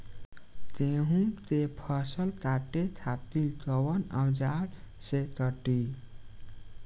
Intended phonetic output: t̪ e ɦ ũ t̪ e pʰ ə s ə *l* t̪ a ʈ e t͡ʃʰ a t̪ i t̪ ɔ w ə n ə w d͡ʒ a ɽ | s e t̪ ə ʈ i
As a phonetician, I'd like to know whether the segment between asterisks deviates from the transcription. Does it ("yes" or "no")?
no